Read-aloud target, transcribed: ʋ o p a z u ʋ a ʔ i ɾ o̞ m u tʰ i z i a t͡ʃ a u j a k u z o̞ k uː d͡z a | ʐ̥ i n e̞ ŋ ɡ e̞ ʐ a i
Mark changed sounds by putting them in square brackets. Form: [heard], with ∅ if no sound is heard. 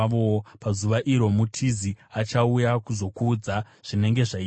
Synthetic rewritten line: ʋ o p a z u ʋ a ʔ i ɾ o̞ m u tʰ i z i a t͡ʃ a u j a k u z o̞ k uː d͡z a | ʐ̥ i n e̞ ŋ ɡ e̞ ʐ a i